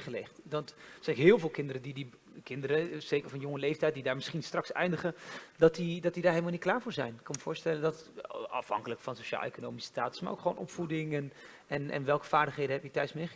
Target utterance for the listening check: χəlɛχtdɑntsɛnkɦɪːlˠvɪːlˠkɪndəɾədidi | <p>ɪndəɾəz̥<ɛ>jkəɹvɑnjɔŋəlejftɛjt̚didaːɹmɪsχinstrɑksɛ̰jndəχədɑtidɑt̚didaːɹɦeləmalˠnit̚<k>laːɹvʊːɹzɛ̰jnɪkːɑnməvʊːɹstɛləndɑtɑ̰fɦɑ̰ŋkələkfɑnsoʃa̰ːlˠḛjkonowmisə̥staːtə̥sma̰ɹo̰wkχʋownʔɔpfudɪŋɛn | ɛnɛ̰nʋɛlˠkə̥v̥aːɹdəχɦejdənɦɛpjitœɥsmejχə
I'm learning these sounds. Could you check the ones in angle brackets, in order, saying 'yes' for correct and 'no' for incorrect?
no, no, yes

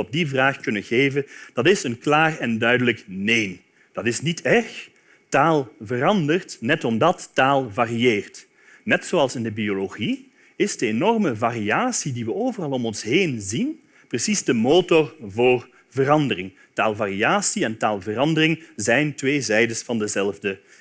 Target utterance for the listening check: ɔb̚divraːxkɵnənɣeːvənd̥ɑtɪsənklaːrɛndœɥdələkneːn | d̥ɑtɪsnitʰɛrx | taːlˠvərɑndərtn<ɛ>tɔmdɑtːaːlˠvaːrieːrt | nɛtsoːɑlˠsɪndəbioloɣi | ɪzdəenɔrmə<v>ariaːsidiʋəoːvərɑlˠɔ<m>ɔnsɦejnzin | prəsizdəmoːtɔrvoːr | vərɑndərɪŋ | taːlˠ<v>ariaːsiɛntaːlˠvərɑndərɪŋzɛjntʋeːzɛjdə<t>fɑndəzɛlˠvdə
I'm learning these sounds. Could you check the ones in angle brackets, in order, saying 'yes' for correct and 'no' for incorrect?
yes, yes, yes, yes, no

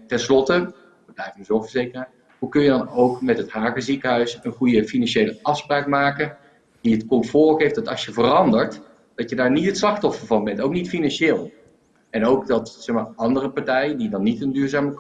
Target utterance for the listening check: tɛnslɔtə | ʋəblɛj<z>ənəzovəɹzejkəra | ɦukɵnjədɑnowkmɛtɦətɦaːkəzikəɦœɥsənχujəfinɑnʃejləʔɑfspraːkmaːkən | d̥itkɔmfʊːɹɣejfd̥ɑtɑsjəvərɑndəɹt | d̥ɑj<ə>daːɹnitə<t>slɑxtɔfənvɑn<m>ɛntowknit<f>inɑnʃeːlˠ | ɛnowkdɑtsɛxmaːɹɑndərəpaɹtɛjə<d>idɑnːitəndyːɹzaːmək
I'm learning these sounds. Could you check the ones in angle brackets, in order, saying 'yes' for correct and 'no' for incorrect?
no, yes, yes, no, yes, yes

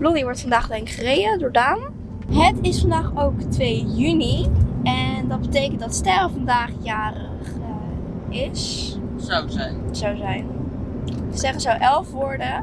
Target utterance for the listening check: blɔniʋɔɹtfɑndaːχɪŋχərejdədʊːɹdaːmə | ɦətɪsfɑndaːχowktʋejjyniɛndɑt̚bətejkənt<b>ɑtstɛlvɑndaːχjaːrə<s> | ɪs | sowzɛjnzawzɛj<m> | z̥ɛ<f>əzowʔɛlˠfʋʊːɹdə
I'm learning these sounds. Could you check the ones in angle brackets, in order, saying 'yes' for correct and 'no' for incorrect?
no, no, no, no

